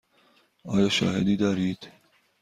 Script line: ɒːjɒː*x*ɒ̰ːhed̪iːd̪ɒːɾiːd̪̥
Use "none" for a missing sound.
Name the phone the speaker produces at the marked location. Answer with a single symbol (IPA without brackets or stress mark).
ʃ